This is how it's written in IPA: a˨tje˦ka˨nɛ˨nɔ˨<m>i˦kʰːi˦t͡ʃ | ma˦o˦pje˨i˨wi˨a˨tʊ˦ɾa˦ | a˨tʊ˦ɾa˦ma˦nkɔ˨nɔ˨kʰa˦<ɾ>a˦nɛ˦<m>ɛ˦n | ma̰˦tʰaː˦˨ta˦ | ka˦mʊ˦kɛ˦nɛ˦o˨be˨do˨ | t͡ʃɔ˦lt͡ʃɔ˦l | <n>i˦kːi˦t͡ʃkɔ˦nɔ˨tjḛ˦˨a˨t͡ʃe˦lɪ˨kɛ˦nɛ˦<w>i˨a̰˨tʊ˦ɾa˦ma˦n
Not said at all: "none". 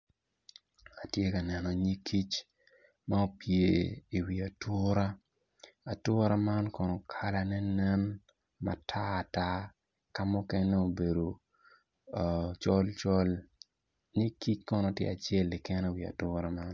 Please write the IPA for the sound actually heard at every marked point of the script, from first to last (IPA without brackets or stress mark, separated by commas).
ɲ, l, n, ɲ, w